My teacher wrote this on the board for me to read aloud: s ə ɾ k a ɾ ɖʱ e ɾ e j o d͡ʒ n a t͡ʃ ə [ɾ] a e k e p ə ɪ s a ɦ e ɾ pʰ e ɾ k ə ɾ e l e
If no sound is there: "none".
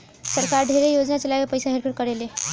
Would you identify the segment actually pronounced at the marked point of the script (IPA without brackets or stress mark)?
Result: l